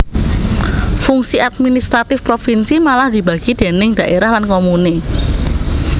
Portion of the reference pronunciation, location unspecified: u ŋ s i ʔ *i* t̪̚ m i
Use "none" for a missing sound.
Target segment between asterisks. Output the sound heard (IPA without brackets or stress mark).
a